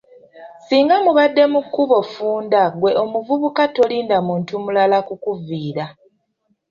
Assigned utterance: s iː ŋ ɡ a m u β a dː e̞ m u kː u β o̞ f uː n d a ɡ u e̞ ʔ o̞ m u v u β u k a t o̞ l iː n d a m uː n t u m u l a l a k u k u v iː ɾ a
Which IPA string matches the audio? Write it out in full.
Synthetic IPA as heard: s iː ŋ ɡ a m u β a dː e̞ m u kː u β o̞ f uː n d a ɡ w e̞ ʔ o̞ m u v u β u k a t o̞ l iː n d a m uː n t u m u l a l a k u k u v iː ɾ a